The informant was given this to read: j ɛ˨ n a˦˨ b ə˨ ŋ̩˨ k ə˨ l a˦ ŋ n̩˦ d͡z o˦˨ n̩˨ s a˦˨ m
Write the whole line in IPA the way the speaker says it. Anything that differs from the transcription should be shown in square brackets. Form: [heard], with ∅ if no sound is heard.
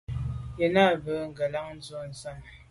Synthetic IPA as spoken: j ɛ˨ n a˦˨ b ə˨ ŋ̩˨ [ɡ] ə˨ l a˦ ŋ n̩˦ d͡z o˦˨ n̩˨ s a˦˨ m

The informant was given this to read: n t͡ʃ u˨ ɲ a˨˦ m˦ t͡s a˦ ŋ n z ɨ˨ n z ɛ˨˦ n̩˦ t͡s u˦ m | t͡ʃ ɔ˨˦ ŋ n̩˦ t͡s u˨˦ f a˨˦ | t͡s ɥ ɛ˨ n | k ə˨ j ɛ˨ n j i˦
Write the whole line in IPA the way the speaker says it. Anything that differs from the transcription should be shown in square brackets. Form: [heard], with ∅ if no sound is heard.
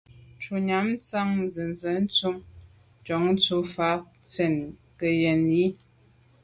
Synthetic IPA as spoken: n t͡ʃ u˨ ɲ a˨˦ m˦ t͡s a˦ ŋ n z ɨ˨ n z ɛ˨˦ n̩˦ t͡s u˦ m | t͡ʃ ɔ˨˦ ŋ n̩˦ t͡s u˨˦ f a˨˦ | t͡s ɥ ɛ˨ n | k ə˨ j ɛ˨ n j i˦

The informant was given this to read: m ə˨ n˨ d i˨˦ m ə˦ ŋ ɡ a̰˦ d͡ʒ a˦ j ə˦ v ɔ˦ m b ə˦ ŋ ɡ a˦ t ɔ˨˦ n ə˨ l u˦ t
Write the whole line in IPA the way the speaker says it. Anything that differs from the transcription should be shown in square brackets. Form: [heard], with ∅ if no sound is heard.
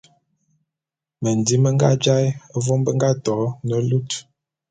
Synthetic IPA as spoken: m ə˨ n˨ d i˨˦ m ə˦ ŋ ɡ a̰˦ d͡ʒ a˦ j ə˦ v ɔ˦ m b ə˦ ŋ ɡ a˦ t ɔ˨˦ n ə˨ l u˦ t

